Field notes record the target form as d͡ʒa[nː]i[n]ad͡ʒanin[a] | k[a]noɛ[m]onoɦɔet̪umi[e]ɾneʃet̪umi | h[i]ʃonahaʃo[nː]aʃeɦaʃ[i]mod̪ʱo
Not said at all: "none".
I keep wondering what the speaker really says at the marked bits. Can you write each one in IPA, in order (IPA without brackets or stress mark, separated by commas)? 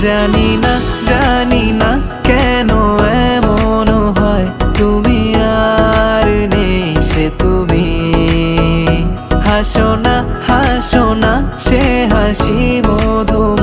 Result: n, n, a, ɛ, m, a, a, n, i